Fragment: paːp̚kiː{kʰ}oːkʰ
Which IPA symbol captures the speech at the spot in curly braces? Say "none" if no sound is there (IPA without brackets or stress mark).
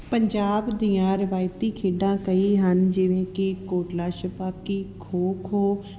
kʰ